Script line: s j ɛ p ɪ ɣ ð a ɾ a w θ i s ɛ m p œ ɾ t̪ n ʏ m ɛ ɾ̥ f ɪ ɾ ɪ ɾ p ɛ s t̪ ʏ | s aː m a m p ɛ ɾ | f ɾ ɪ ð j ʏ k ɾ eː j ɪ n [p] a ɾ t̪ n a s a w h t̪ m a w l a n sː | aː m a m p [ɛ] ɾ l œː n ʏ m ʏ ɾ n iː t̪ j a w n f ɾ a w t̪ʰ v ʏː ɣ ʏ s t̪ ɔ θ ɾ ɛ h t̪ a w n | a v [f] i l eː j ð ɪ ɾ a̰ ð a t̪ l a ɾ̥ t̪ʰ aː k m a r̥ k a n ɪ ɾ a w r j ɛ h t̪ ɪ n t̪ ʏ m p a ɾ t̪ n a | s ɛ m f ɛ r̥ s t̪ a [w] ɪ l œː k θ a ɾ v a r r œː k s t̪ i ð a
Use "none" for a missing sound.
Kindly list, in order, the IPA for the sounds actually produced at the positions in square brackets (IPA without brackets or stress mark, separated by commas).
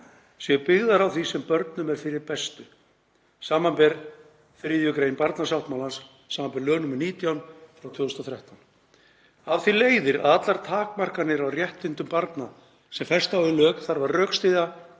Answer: p, ɛ, θ, w